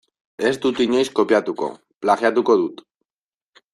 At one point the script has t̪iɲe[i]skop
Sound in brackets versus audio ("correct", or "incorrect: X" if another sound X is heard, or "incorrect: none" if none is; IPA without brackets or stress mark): incorrect: j